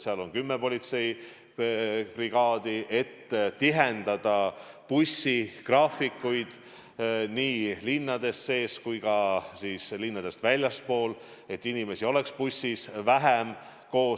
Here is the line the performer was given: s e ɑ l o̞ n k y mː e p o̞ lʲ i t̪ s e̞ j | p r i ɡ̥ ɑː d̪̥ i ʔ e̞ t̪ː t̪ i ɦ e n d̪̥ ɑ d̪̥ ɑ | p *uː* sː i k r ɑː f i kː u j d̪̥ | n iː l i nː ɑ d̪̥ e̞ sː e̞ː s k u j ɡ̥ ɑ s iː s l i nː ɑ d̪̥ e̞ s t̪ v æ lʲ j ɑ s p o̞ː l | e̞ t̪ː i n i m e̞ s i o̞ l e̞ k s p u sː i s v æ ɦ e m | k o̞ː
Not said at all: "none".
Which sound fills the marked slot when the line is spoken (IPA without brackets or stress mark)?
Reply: u